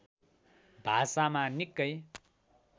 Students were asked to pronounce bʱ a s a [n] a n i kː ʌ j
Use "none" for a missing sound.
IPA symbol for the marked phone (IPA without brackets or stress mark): m